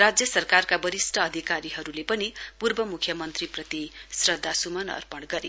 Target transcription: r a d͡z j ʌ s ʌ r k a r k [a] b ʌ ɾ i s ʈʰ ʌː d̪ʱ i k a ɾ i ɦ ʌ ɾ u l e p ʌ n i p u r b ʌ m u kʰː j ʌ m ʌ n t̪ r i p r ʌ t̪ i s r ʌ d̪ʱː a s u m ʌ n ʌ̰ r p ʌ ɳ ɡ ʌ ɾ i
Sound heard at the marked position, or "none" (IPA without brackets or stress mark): a